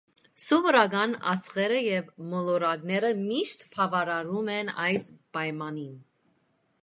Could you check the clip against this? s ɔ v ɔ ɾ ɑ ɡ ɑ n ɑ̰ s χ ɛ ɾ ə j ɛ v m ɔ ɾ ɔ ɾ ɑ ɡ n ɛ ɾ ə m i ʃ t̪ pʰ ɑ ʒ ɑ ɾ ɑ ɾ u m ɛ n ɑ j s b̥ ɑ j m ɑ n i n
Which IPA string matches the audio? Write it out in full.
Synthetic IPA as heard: s ɔ v ɔ ɾ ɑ ɡ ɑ n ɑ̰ s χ ɛ ɾ ə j ɛ v m ɔ l ɔ ɾ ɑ ɡ n ɛ ɾ ə m i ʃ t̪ pʰ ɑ v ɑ ɾ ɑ ɾ u m ɛ n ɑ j s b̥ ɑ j m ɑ n i n